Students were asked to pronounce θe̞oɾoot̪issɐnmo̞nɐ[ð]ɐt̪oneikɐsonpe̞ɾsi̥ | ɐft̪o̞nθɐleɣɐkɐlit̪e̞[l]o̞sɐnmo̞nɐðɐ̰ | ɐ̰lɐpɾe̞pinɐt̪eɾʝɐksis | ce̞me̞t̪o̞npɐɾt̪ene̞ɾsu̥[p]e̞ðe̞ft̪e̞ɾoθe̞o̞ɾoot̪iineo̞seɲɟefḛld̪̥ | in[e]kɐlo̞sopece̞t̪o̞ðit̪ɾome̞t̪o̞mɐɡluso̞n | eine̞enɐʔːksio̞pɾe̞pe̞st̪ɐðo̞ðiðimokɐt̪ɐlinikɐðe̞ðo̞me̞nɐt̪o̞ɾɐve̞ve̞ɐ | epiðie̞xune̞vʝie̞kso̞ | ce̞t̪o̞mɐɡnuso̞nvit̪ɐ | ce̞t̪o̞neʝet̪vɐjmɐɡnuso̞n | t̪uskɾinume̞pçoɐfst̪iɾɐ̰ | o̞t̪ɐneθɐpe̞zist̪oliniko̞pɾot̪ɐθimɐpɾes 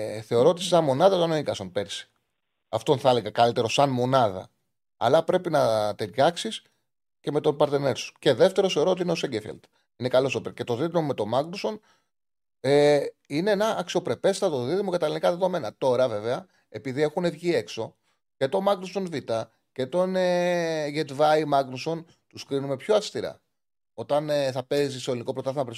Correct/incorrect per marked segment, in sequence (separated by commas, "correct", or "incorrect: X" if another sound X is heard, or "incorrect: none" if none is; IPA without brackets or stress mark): correct, incorrect: ɾ, incorrect: c, correct